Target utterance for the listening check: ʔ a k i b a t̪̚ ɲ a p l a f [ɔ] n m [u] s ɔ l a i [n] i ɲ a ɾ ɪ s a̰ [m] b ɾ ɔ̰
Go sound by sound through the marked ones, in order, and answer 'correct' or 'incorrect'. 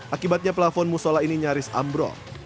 correct, correct, correct, correct

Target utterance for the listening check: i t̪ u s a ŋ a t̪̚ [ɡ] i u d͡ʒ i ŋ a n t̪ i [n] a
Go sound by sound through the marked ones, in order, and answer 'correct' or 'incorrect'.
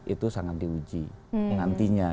incorrect, incorrect

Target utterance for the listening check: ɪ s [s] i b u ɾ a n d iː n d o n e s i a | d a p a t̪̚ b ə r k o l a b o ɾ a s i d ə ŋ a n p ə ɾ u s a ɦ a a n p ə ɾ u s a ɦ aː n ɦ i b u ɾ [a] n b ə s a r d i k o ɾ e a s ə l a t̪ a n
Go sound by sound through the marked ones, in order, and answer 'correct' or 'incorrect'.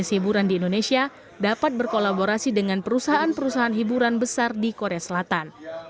incorrect, correct

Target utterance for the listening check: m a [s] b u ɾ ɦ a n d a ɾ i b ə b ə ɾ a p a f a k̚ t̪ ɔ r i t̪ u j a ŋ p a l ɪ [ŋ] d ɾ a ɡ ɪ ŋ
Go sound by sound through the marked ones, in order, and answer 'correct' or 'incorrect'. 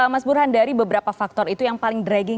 correct, correct

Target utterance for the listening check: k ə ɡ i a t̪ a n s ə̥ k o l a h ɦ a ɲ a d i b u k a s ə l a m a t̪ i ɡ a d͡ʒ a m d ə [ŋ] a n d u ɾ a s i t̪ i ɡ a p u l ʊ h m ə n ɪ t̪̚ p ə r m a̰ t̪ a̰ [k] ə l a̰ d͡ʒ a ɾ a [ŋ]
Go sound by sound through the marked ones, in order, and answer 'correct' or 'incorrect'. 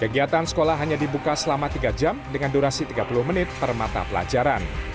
correct, incorrect, incorrect

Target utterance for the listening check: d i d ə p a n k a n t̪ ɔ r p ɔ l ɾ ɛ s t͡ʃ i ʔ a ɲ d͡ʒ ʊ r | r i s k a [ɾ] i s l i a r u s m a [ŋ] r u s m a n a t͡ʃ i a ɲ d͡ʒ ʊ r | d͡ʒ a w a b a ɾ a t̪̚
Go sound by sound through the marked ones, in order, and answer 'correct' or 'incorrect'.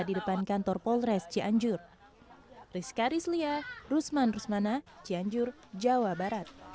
correct, incorrect

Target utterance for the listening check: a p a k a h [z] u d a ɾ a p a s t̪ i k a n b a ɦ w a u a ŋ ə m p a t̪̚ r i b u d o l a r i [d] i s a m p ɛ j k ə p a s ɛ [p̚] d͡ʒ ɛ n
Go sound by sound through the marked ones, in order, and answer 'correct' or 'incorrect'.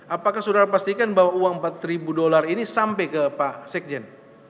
incorrect, incorrect, incorrect

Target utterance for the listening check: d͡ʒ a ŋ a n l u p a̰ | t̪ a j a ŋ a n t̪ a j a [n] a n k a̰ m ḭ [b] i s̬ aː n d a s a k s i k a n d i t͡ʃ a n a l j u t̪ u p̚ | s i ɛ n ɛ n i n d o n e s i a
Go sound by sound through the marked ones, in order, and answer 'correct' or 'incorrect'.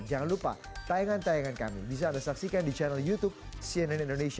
incorrect, correct

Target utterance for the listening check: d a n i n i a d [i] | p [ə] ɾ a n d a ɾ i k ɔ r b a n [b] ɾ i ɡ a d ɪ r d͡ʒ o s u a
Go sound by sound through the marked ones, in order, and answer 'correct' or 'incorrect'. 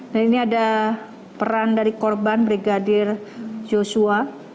incorrect, correct, correct

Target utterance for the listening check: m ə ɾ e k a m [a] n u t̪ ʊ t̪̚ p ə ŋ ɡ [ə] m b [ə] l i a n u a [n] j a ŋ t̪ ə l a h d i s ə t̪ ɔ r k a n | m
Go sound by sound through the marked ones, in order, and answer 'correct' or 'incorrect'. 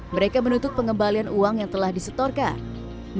incorrect, correct, incorrect, incorrect

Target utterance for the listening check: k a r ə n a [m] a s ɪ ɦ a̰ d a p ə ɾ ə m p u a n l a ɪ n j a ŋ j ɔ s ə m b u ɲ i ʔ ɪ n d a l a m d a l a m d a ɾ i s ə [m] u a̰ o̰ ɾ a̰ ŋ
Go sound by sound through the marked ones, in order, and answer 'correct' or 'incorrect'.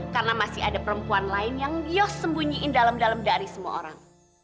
correct, correct

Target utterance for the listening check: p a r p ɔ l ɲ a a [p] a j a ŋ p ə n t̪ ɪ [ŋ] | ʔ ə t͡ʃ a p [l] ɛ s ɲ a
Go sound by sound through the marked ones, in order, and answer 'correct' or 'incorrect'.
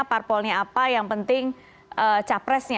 correct, correct, incorrect

